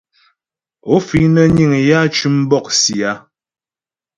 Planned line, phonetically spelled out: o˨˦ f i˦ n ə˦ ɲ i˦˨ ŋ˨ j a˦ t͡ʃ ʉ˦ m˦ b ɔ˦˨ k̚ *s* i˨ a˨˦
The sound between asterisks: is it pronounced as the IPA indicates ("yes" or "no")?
yes